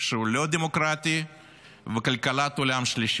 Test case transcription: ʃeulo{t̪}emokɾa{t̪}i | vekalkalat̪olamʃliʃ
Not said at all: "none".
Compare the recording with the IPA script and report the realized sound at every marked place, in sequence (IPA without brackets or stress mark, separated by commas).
d̪, t̪